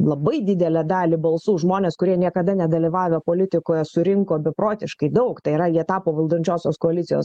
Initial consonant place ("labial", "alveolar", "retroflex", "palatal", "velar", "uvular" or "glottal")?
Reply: alveolar